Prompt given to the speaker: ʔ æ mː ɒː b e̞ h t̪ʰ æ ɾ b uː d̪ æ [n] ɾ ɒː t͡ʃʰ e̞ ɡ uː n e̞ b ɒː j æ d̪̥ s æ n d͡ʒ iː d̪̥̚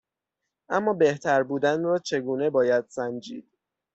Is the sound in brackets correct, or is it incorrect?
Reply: correct